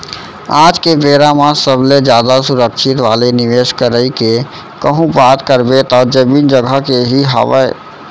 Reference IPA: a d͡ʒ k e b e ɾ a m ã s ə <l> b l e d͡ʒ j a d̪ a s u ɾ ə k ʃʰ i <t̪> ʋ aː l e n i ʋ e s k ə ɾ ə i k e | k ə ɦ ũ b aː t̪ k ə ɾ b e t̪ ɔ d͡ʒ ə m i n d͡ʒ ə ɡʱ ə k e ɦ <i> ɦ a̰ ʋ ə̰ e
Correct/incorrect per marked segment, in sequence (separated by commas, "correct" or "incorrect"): incorrect, correct, correct